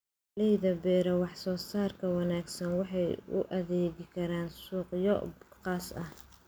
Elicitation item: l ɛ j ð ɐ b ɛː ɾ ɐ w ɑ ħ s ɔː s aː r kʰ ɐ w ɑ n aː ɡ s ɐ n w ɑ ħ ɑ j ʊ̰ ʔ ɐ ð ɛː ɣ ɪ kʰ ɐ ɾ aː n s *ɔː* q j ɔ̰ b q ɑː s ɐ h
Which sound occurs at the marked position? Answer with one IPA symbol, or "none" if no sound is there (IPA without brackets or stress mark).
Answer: uː